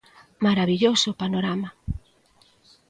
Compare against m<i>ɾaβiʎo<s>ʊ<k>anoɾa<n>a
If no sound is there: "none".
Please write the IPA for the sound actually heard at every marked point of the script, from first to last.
a, s, p, m

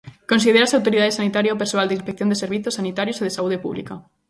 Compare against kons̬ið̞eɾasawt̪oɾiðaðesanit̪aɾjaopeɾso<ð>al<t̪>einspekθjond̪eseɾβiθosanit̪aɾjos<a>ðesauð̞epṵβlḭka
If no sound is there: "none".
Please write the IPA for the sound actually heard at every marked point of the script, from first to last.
none, d̪, e

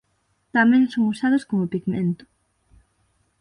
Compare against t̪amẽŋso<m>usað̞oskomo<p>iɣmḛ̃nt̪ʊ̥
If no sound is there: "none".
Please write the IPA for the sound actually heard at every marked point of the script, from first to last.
ŋ, p

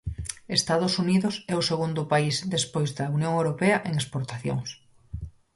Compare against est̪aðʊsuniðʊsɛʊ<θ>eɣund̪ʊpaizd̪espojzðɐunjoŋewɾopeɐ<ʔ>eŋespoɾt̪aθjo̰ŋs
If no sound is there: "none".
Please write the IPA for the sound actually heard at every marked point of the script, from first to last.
s, ʔ

